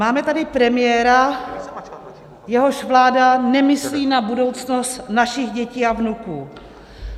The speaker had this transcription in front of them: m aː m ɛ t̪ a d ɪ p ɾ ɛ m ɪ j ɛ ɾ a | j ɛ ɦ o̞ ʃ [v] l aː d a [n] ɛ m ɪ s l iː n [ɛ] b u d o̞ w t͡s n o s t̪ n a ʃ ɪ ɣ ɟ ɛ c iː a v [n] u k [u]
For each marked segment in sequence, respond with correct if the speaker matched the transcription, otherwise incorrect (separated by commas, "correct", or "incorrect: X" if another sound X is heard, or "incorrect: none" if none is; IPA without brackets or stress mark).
correct, correct, incorrect: a, correct, incorrect: uː